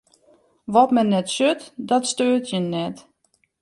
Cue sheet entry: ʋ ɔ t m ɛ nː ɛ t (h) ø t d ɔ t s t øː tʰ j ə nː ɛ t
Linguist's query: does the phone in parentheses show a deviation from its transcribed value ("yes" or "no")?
yes